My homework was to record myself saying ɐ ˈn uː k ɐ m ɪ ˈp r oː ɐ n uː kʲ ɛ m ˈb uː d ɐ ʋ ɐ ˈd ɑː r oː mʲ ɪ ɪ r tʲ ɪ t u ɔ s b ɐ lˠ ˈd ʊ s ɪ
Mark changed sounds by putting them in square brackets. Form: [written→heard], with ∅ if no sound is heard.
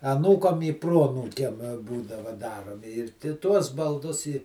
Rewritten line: ɐ ˈn uː k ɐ m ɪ ˈp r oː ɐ n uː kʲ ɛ m ˈb uː d ɐ ʋ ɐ ˈd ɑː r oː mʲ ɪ ɪ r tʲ ɪ t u ɔ s b ɐ lˠ ˈd ʊ s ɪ